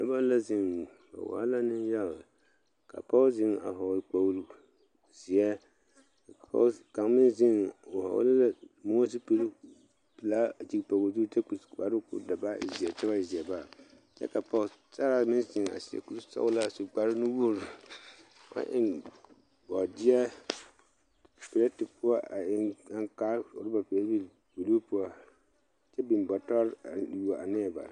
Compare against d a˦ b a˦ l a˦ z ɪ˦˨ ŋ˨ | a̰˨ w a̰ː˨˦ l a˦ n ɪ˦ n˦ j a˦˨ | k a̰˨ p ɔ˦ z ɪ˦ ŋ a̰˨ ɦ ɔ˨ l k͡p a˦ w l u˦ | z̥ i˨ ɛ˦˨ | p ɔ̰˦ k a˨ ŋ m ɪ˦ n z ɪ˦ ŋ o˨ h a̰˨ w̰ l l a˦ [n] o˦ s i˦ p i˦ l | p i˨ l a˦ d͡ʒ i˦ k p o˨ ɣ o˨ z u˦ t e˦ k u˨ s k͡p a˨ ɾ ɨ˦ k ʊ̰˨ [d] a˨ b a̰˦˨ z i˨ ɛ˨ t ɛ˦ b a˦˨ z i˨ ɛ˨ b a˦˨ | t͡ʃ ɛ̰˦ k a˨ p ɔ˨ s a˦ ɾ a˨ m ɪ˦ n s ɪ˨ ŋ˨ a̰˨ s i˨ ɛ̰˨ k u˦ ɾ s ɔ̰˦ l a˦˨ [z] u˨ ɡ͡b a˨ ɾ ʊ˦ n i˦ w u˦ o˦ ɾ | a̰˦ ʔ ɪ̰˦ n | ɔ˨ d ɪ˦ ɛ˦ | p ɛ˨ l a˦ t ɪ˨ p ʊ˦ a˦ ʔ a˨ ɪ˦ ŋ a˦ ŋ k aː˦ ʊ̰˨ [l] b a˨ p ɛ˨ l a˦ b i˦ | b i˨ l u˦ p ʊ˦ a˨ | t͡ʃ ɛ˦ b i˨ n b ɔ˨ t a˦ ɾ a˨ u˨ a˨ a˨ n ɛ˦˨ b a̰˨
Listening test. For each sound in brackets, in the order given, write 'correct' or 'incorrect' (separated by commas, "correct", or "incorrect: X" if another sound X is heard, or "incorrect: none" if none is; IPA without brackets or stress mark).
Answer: incorrect: m, correct, incorrect: s, incorrect: ɾ